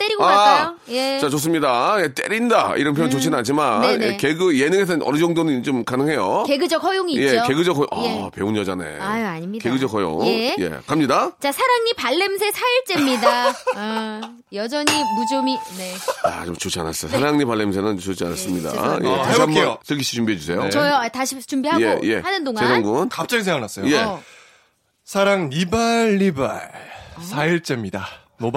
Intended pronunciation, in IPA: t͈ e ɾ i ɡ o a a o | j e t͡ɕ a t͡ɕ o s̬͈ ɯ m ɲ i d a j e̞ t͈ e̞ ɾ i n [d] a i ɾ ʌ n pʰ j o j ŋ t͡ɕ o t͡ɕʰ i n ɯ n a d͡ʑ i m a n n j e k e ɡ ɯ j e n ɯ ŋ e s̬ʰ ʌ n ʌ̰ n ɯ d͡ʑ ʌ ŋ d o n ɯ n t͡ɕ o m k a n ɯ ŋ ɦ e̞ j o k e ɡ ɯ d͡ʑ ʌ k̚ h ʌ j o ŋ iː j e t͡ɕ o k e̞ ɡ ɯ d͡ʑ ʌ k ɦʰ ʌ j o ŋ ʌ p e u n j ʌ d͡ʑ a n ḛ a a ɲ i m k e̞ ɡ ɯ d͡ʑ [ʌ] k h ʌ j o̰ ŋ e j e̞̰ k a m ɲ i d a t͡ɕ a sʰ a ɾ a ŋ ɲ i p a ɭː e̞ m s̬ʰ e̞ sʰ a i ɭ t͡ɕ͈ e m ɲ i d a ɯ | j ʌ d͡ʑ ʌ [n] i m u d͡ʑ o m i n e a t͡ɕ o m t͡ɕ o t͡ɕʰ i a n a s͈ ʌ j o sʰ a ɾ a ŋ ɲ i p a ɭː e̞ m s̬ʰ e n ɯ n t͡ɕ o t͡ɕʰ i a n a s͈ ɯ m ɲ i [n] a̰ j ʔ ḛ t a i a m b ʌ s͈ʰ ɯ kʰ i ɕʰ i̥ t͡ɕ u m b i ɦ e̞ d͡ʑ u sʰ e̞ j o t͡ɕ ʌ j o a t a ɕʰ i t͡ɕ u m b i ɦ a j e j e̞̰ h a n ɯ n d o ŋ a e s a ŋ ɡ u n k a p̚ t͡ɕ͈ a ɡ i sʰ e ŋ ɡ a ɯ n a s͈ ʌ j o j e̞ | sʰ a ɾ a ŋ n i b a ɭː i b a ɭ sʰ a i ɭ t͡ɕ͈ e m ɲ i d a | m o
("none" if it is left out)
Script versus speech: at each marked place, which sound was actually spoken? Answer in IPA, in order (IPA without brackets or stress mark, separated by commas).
d, ʌ, ɲ, d